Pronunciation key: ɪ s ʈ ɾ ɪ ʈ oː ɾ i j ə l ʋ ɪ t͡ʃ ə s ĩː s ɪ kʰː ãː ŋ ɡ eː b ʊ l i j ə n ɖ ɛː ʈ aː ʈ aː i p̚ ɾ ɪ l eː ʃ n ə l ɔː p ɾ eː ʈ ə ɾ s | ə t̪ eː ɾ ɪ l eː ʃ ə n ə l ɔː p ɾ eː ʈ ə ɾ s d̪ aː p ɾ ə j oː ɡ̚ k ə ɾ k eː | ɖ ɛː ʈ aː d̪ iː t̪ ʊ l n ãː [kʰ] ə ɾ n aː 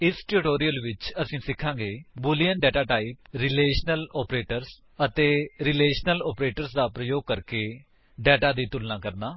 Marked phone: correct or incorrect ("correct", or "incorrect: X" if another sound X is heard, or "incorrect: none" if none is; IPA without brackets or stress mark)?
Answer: incorrect: k